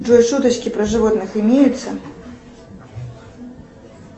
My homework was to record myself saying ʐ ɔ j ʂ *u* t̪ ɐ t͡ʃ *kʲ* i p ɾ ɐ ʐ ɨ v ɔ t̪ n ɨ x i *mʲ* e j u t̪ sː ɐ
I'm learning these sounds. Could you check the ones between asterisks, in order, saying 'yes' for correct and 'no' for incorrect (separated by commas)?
yes, yes, yes